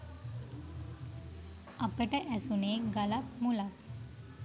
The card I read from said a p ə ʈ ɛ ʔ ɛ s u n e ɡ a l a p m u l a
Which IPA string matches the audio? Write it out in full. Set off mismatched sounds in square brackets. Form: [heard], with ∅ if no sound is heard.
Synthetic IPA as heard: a p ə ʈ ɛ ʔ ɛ s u n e ɡ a l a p m u l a